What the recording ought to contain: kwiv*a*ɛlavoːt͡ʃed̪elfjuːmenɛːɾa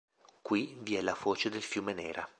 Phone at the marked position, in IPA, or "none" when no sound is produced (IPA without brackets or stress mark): i